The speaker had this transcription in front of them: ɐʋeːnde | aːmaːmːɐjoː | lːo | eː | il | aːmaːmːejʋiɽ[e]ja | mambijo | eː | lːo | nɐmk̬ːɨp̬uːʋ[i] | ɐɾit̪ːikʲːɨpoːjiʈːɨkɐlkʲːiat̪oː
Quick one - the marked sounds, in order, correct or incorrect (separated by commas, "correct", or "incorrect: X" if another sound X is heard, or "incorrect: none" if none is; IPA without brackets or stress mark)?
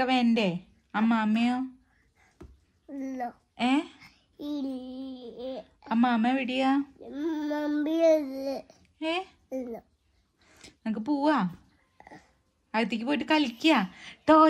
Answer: incorrect: i, incorrect: a